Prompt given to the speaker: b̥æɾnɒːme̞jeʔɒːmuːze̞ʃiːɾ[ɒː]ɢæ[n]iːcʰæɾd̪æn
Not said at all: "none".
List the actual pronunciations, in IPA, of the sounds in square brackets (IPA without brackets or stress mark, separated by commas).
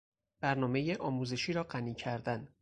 ɒː, n